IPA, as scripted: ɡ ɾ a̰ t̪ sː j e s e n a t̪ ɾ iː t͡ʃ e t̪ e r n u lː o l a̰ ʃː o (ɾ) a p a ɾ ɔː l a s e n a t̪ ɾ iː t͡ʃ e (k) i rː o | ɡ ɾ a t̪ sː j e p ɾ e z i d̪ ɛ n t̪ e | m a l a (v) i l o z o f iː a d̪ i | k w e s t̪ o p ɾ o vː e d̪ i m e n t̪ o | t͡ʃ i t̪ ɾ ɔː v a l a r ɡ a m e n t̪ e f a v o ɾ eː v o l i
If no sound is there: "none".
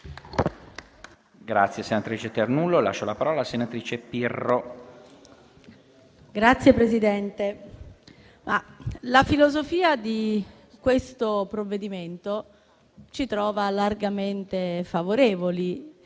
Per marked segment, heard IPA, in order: l, p, f

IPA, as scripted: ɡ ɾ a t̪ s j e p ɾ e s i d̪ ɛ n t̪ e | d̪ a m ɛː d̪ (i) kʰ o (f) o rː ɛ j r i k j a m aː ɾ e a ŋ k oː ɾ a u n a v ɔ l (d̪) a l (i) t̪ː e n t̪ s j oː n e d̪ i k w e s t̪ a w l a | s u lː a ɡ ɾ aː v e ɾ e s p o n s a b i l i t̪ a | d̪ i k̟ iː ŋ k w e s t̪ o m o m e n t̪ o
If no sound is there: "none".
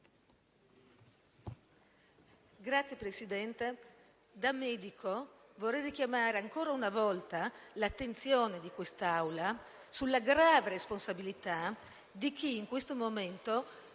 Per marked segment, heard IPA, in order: i, v, t̪, a

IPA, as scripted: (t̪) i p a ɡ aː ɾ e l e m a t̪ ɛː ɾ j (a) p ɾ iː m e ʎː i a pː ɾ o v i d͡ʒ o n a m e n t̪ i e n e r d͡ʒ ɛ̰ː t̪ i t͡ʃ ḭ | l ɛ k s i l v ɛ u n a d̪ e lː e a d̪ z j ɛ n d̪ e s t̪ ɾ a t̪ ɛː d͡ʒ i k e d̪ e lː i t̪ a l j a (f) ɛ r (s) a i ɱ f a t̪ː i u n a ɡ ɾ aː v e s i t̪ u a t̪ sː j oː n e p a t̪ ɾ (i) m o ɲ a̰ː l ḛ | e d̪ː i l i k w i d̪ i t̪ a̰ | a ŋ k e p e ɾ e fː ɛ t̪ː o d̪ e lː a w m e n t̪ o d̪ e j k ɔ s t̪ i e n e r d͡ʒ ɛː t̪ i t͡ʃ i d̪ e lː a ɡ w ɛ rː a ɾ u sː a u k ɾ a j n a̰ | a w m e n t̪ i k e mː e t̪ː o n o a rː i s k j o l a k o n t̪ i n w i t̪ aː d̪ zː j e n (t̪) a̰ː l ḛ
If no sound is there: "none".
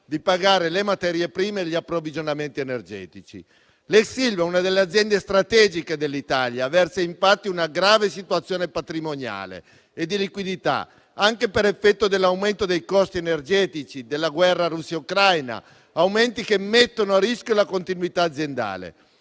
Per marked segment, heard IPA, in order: d̪, e, v, s, i, d̪

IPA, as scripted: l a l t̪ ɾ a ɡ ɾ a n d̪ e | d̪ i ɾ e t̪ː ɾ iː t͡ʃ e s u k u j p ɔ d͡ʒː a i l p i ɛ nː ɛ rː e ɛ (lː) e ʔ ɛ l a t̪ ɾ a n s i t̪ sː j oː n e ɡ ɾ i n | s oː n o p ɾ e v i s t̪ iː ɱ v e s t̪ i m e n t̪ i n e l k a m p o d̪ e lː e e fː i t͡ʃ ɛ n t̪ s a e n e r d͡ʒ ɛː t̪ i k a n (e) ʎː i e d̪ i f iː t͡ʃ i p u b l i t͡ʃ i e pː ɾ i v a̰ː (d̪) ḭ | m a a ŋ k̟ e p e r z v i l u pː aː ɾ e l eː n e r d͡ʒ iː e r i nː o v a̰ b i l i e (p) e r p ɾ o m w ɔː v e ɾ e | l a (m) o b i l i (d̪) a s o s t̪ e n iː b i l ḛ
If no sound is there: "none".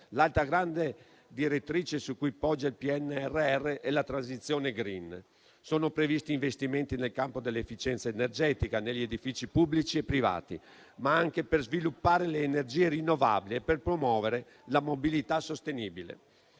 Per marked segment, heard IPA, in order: rː, e, t̪, p, m, t̪

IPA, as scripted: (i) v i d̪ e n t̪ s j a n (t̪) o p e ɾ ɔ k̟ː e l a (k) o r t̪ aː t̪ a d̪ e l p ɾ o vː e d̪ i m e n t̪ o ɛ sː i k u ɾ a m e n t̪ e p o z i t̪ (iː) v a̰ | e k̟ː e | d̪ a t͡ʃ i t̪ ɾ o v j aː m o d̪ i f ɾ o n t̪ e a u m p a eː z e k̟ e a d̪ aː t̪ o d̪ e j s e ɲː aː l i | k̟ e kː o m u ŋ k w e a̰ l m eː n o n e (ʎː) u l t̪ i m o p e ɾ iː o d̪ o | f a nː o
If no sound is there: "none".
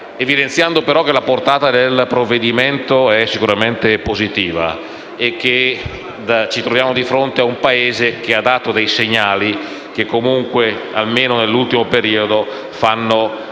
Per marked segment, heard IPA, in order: e, d̪, p, iː, lː

